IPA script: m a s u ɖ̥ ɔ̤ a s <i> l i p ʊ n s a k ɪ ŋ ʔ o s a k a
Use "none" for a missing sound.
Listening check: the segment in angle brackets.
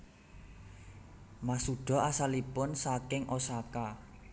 a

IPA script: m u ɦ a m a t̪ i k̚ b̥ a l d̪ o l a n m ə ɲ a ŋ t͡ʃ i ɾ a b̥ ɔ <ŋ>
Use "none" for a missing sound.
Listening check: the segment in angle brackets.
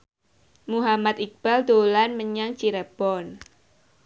n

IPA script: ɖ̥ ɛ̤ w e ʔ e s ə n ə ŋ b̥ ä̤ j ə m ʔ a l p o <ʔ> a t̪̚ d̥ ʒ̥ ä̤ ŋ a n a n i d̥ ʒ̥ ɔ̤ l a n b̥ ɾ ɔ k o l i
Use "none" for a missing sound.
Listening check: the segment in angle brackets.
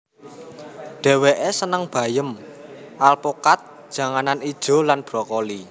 k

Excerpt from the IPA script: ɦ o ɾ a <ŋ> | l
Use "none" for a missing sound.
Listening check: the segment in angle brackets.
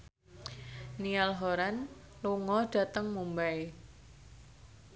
n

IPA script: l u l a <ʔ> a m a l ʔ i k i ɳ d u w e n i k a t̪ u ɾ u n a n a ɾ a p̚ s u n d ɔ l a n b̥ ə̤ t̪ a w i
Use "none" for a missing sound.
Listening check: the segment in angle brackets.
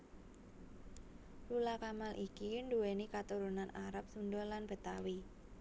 k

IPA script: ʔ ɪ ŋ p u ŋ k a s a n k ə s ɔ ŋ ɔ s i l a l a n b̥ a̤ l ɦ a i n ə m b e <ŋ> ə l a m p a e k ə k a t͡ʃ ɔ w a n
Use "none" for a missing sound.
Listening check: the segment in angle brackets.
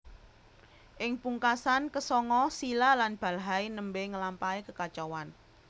ŋ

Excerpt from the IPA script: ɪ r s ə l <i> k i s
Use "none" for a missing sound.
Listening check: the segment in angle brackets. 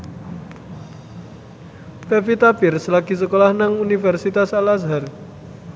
a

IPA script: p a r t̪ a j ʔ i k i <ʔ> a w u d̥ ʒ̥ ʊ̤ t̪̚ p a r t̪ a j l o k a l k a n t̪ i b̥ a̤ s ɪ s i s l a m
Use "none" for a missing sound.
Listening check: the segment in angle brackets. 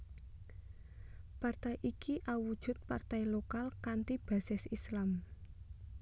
ʔ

